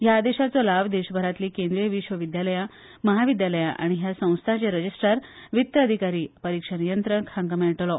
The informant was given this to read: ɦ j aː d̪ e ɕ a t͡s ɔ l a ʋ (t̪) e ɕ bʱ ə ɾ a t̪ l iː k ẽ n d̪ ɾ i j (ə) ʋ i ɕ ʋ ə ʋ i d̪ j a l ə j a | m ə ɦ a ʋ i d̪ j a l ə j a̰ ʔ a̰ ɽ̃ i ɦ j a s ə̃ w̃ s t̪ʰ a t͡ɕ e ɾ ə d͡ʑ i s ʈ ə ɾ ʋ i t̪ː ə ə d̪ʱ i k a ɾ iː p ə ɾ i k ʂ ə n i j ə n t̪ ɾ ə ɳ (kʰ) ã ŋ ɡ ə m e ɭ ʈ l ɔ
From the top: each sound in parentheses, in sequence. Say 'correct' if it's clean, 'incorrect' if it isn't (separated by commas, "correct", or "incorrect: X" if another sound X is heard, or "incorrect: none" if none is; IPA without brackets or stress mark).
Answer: incorrect: d̪, correct, correct